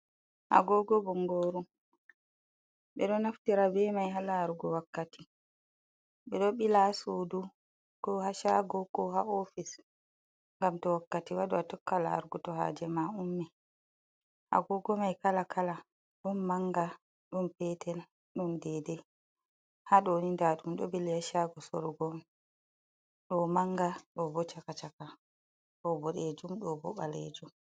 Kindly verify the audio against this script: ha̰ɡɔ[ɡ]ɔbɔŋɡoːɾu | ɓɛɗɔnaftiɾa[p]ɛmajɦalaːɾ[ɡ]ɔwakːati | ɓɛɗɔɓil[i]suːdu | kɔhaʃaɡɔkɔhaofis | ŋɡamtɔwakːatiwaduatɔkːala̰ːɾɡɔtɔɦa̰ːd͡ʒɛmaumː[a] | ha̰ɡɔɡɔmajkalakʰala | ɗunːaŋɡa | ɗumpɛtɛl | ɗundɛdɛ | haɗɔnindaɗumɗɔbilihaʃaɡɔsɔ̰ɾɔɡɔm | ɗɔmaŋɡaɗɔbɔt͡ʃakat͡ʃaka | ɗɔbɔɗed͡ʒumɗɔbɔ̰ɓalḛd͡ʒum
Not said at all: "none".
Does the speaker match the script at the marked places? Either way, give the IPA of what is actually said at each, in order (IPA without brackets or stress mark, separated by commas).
ɡ, b, ɡ, a, ɛ